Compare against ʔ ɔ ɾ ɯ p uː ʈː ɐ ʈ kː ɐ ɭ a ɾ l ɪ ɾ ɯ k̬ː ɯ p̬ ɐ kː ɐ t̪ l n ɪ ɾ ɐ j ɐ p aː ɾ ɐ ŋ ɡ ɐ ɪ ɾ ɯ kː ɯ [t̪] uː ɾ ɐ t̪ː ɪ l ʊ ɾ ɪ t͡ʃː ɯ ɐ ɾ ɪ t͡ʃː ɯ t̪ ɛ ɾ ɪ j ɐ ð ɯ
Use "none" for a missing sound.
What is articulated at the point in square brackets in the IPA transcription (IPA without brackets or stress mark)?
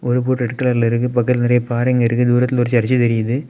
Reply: d̪